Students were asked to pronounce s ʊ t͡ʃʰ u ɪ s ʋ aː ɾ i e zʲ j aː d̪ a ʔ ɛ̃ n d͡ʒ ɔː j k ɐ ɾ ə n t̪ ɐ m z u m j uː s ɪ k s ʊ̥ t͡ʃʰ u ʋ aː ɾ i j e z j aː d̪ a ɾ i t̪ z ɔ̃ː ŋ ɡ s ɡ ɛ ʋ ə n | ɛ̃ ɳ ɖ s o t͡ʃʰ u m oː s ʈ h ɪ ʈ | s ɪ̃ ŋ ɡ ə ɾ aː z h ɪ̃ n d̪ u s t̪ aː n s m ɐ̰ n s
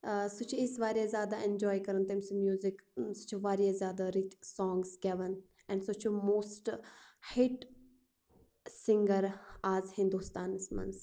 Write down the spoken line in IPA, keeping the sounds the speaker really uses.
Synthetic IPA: s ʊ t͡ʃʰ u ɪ s ʋ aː ɾ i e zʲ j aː d̪ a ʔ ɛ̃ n d͡ʒ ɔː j k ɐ ɾ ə n t̪ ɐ m s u m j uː z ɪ k s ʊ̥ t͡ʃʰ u ʋ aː ɾ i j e z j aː d̪ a ɾ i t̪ s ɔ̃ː ŋ ɡ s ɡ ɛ ʋ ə n | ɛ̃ ɳ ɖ s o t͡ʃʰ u m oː s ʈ h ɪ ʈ | s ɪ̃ ŋ ɡ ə ɾ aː z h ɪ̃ n d̪ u s t̪ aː n s m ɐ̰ n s